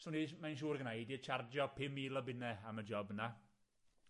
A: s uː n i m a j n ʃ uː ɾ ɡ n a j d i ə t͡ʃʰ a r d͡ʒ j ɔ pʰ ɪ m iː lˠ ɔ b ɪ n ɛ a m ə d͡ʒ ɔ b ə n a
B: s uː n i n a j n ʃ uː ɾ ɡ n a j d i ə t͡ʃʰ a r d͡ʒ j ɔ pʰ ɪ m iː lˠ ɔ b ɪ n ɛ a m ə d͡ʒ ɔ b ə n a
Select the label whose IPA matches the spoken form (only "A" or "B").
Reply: A